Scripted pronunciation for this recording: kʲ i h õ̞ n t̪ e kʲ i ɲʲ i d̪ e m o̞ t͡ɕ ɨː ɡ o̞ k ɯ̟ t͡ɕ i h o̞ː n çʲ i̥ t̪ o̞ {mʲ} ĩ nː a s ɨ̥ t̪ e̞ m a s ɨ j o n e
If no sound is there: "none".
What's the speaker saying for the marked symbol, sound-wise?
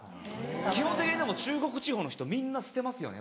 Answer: mʲ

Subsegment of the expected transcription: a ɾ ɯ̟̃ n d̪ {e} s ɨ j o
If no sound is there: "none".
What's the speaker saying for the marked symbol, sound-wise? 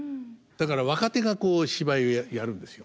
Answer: e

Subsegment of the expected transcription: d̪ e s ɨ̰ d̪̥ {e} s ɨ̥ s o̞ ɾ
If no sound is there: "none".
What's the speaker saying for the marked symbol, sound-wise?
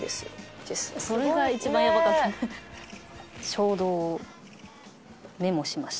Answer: e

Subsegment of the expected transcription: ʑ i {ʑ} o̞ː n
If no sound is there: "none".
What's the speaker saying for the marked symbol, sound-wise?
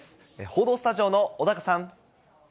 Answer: none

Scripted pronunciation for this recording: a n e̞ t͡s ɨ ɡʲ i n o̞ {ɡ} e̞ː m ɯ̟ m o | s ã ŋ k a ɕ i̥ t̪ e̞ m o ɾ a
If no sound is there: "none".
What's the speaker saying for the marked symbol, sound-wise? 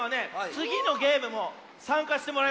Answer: ɡ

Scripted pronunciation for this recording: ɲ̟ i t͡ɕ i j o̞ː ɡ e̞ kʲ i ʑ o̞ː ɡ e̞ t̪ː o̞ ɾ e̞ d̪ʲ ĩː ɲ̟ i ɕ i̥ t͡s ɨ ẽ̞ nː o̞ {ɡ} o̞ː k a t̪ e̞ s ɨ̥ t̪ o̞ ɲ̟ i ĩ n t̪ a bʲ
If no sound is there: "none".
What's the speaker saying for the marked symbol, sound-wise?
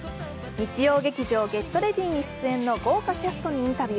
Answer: ɡ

